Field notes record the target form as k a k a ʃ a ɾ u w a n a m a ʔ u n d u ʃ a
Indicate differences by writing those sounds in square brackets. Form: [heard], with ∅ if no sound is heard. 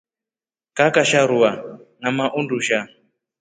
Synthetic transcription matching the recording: k a k a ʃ a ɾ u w a n a m a ʔ u n d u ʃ a